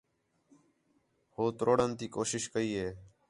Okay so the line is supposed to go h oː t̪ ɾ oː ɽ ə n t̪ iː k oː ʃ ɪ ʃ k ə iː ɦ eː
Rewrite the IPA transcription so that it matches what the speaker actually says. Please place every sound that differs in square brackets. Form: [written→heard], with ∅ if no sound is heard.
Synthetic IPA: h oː t̪ ɾ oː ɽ ə n t̪ iː k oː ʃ ɪ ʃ k ə iː ɦ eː